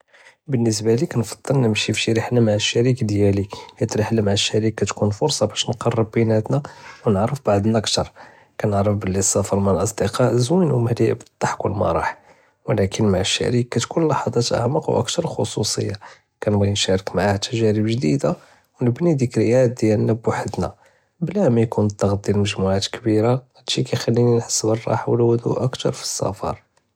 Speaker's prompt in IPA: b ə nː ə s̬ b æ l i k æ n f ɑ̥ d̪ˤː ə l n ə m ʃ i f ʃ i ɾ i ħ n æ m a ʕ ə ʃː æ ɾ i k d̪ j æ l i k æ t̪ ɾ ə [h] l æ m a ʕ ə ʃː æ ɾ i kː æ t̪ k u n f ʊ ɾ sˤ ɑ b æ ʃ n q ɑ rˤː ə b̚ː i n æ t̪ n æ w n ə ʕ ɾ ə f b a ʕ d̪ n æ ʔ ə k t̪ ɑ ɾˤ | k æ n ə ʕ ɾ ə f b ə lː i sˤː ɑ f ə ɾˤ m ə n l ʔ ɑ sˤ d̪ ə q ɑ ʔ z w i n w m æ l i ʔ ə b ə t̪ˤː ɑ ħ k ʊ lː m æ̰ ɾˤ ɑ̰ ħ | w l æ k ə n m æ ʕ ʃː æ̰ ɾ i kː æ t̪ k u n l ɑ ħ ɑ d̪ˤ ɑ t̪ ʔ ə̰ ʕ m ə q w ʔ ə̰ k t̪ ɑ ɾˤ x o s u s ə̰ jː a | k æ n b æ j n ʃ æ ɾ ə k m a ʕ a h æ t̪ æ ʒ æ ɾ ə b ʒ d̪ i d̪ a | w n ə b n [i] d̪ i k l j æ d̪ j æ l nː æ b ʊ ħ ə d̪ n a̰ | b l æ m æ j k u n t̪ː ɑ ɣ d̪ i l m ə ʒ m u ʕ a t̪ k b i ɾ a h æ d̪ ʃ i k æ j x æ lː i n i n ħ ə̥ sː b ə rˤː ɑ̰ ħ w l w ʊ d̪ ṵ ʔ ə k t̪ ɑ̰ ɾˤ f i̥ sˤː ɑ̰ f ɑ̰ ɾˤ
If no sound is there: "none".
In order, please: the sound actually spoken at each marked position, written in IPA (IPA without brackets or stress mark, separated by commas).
ħ, i